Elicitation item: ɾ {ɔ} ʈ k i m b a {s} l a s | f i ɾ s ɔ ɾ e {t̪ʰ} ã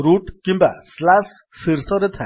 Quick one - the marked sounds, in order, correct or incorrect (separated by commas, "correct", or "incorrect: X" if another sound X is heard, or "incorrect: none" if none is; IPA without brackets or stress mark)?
incorrect: u, correct, correct